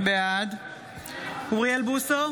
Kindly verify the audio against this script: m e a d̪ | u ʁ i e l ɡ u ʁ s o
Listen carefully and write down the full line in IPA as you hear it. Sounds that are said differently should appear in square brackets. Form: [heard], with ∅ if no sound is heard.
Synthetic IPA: [b] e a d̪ | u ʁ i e l [b] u [∅] s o